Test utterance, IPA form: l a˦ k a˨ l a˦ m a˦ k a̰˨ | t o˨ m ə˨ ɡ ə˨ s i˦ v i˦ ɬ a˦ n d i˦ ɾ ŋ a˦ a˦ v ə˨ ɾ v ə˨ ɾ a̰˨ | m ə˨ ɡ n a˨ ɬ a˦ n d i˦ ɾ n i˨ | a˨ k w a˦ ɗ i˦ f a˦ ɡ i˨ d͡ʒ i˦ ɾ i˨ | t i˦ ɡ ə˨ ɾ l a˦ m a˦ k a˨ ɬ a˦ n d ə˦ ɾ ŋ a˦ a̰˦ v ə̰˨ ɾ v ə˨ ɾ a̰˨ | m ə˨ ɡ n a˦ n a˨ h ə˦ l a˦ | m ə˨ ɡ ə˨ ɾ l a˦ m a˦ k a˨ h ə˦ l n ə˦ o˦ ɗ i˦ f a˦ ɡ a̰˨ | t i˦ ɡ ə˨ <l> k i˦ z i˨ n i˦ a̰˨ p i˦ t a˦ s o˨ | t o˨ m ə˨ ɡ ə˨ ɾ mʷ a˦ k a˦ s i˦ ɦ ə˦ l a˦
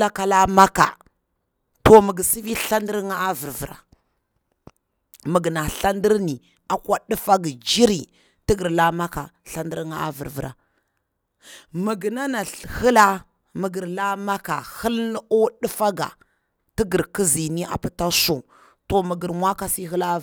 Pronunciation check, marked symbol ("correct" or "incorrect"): incorrect